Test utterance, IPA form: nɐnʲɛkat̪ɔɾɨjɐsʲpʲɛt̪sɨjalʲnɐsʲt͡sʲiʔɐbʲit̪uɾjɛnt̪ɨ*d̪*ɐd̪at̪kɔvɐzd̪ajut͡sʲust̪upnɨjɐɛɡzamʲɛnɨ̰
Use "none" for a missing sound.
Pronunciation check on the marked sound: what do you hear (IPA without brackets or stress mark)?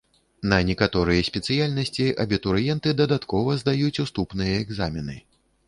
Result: d̪